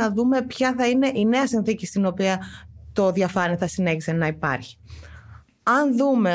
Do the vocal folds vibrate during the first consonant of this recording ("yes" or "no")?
yes